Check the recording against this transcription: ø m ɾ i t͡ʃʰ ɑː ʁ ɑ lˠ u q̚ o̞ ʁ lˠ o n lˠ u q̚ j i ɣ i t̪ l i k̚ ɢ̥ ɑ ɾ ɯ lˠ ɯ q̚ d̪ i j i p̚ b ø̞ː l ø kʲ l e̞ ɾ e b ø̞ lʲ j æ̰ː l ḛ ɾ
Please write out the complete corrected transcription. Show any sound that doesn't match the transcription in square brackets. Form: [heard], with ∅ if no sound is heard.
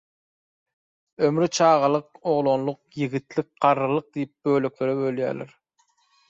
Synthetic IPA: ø m ɾ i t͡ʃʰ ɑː ʁ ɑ lˠ [ɯ] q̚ o̞ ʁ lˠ o n lˠ u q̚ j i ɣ i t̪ l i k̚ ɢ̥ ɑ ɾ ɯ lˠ ɯ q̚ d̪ i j i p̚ b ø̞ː l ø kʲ l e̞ ɾ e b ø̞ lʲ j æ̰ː l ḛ ɾ